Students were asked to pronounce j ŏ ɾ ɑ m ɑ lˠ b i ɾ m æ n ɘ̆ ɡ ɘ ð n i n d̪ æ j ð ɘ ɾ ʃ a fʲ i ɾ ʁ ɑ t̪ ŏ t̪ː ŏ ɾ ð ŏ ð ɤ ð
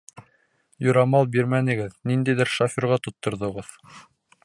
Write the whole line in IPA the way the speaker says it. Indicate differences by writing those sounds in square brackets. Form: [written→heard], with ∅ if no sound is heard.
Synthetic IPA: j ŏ ɾ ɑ m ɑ lˠ b i ɾ m æ n ɘ̆ ɡ ɘ ð n i n d̪ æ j ð ɘ ɾ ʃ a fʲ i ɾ ʁ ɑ t̪ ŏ t̪ː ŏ ɾ ð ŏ [ð→ʁ] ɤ ð